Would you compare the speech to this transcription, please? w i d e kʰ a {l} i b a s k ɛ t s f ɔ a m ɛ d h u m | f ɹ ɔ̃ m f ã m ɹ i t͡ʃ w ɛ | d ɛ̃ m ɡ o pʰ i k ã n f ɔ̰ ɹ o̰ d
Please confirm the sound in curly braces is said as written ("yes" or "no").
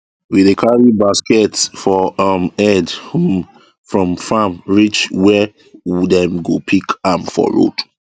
no